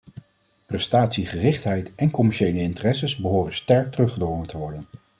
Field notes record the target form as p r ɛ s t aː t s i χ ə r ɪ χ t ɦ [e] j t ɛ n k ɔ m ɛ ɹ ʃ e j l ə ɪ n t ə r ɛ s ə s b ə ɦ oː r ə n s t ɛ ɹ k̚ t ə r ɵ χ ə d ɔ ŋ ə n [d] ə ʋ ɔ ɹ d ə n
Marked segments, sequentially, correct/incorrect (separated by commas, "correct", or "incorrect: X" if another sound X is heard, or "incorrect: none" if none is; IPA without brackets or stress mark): incorrect: ɛ, incorrect: t